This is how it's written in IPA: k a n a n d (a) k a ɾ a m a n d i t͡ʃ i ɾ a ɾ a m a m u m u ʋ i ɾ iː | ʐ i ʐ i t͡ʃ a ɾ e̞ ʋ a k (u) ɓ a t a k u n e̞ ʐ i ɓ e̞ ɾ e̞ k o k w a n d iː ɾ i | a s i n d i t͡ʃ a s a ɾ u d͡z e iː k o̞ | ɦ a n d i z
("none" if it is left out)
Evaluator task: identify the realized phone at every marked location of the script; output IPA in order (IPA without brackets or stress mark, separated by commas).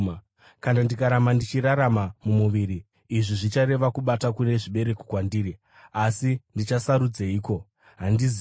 i, u